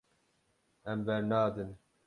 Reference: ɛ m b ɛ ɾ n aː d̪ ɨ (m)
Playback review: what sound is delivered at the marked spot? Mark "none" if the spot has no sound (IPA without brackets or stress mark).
n